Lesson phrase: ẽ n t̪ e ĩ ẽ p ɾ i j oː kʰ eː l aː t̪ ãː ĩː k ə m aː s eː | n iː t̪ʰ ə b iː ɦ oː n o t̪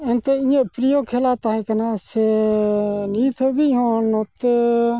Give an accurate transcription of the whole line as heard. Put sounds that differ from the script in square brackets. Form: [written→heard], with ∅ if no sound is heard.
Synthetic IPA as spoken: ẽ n t̪ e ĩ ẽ p ɾ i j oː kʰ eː l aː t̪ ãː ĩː k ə [m→n] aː s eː | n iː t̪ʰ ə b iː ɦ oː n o t̪